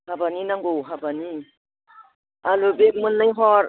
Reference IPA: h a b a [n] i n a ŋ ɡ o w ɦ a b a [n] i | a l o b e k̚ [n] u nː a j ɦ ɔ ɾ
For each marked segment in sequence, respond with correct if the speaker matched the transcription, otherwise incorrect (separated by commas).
correct, correct, incorrect